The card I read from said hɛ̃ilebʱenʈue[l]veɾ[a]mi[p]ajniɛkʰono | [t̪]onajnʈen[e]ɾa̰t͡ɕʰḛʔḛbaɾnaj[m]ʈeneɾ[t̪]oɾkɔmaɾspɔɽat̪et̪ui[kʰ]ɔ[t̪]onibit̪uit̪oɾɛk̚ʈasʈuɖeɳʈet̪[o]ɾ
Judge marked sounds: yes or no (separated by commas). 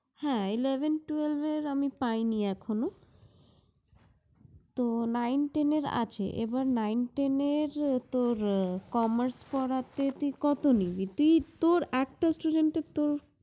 yes, yes, yes, yes, yes, no, yes, no, yes, yes